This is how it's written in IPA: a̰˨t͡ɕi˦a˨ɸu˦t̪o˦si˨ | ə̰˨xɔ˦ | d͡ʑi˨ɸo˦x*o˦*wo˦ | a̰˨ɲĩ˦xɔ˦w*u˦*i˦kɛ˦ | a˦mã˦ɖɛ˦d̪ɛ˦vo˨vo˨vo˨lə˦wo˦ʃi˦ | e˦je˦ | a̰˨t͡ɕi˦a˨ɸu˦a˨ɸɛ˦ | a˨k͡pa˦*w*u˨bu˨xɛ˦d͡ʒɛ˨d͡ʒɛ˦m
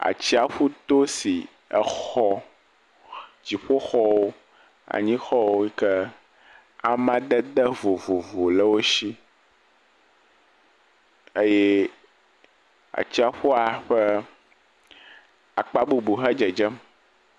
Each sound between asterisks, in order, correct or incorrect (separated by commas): incorrect, incorrect, incorrect